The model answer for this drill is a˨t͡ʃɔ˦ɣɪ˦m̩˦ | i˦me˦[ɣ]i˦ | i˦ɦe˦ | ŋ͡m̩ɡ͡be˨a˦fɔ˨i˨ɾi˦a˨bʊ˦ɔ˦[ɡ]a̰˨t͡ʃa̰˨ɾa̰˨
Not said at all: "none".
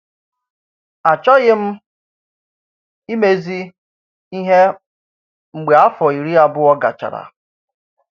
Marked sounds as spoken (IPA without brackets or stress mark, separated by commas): z, ɡ